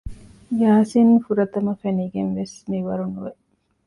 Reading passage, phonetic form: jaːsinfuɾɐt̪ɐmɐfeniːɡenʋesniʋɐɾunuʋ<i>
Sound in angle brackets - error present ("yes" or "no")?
yes